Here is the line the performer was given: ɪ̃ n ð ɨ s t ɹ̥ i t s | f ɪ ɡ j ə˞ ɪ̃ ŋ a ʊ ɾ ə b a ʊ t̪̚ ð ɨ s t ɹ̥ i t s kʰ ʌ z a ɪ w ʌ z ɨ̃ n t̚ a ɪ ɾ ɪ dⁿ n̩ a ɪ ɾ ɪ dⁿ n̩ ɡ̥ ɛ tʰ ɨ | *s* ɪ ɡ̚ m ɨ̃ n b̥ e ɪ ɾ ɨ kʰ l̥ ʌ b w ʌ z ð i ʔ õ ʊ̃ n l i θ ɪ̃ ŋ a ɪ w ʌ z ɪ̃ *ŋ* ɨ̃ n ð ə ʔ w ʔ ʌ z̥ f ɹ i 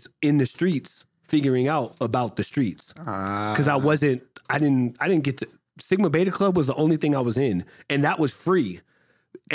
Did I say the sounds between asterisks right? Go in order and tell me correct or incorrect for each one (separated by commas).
correct, incorrect